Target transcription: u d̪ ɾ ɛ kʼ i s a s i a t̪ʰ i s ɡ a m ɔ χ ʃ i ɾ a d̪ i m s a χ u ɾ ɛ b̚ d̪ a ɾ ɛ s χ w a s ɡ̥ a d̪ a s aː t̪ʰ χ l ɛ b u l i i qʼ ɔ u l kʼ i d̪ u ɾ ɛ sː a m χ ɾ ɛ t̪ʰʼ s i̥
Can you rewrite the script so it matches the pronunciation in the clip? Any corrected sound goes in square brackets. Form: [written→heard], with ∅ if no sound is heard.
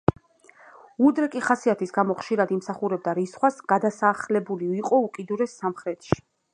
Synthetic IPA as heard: u d̪ ɾ ɛ kʼ i [s→χ] a s i a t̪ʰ i s ɡ a m ɔ χ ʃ i ɾ a d̪ i m s a χ u ɾ ɛ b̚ d̪ a ɾ [ɛ→i] s χ w a s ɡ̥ a d̪ a s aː [t̪ʰ→∅] χ l ɛ b u l i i qʼ ɔ u [l→∅] kʼ i d̪ u ɾ ɛ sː a m χ ɾ ɛ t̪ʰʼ [s→ʃ] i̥